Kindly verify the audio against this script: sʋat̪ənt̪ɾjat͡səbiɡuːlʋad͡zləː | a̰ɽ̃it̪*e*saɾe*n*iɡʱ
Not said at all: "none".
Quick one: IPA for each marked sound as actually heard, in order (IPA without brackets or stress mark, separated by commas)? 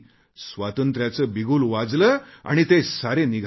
e, n